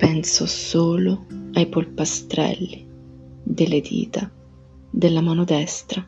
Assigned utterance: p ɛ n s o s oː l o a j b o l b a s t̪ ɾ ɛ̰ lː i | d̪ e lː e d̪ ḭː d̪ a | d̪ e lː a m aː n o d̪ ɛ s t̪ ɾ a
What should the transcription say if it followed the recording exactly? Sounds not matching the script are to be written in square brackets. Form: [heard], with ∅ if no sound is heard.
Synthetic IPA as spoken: p ɛ n s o s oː l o a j [p] o l [p] a s t̪ ɾ ɛ̰ lː i | d̪ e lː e d̪ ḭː [t̪] a | d̪ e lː a m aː n o d̪ ɛ s t̪ ɾ a